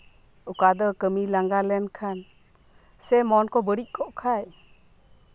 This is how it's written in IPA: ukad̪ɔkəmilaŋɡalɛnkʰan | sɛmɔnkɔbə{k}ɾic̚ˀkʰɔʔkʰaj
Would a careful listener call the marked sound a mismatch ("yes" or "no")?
yes